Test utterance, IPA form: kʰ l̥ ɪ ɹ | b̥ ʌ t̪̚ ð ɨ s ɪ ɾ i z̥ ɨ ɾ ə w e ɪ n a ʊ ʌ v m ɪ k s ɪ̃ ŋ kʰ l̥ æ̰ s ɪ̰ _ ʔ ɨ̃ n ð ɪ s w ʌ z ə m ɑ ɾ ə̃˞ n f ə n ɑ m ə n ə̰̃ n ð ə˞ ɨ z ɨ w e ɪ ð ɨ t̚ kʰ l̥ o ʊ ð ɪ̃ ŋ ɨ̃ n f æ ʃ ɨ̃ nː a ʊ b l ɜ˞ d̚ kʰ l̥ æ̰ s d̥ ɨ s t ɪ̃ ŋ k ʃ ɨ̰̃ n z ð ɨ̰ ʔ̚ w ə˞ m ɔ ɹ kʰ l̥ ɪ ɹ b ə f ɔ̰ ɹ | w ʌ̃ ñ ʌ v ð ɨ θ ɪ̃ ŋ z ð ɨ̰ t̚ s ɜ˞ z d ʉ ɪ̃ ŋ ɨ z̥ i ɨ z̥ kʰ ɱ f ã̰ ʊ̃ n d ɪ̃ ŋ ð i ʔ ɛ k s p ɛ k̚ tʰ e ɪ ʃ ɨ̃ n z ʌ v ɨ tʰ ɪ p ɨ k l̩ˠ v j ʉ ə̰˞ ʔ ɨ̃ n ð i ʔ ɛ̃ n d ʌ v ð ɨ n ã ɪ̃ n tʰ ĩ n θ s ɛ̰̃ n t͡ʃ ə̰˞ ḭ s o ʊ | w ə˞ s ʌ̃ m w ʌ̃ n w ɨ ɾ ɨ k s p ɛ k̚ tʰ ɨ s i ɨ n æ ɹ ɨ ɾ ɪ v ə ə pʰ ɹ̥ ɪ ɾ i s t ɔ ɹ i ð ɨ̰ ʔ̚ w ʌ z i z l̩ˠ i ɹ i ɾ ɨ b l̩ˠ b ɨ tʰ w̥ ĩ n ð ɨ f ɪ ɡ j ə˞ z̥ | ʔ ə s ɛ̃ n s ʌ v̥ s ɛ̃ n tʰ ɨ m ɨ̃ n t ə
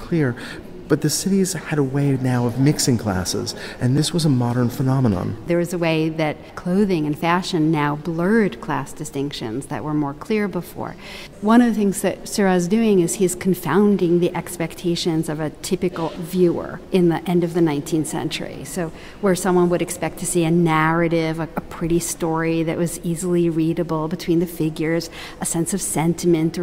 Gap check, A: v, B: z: B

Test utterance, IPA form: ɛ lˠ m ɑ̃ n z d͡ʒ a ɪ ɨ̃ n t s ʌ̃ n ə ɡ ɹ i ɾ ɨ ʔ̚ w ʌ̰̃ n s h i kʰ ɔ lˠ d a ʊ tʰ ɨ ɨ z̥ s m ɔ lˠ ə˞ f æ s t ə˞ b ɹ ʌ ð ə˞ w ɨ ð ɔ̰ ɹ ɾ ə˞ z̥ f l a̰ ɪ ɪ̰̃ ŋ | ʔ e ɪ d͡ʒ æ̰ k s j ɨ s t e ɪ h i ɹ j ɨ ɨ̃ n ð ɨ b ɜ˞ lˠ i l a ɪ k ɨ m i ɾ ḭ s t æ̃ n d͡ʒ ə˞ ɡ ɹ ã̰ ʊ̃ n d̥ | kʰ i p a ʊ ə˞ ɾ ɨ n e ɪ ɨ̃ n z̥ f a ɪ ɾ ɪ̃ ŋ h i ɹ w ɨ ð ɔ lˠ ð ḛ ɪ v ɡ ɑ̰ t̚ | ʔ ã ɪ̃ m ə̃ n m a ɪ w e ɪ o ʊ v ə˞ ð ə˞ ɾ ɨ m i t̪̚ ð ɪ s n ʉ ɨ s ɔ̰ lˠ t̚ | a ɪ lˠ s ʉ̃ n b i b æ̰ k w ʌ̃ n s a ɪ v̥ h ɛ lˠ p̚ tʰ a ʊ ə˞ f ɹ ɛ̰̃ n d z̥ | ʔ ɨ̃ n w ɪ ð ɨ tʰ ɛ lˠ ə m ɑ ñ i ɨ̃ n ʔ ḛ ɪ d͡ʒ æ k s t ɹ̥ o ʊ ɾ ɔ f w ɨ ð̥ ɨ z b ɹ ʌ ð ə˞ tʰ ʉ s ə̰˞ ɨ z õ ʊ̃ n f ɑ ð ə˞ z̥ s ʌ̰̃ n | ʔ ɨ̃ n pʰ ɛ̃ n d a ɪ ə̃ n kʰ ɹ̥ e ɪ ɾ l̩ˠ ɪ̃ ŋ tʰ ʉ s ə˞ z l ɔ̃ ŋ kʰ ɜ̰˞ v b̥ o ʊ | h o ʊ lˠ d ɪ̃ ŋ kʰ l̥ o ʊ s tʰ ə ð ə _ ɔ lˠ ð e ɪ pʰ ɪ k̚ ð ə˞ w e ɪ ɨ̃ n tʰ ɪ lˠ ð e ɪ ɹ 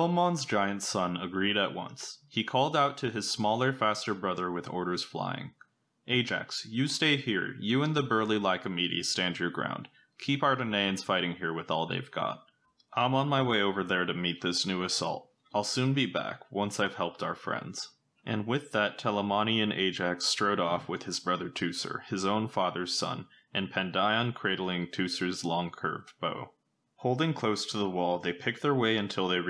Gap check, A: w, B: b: A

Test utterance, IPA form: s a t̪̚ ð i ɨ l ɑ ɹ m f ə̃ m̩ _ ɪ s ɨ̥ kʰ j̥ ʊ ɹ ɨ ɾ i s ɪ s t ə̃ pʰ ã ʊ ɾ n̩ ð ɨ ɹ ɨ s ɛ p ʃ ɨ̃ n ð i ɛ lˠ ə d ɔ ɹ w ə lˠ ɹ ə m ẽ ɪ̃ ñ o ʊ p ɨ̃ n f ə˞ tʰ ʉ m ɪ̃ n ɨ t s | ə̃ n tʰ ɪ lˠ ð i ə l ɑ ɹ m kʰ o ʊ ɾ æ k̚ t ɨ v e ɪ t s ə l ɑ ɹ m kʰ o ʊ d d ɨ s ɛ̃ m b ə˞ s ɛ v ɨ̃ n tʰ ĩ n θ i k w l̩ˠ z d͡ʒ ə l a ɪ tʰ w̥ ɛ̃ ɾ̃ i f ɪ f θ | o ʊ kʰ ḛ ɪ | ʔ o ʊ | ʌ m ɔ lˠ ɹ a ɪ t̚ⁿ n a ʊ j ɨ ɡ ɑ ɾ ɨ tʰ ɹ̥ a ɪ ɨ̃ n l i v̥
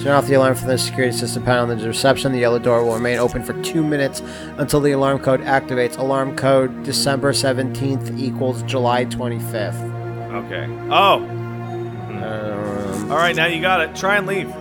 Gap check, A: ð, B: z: A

